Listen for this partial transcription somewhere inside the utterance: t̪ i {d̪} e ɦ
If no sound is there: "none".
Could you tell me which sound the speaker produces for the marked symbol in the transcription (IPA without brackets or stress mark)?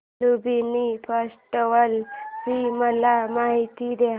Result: d̪